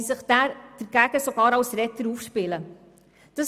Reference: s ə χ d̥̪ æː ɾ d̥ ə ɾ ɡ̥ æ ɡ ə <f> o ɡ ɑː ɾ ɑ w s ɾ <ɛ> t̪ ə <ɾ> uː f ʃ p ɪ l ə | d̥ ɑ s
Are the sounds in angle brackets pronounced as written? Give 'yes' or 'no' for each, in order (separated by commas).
no, yes, yes